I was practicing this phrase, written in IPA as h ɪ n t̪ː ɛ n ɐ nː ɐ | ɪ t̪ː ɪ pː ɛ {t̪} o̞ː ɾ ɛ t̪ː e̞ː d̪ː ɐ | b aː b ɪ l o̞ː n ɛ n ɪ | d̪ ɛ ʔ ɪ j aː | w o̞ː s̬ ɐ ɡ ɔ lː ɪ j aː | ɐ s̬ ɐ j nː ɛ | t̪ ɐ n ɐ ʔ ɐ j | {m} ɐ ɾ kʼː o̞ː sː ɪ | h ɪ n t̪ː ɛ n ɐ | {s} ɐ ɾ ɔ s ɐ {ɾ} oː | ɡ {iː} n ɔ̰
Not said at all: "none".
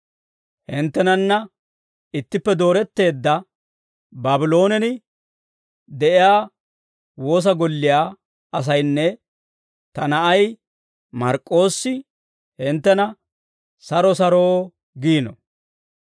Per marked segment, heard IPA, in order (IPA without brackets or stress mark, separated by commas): d̪, m, s, ɾ, iː